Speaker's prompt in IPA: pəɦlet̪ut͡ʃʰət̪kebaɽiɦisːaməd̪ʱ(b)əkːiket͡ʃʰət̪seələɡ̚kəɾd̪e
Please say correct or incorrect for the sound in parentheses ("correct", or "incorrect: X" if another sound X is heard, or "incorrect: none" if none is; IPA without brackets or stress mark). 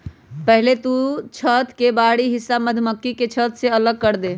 incorrect: m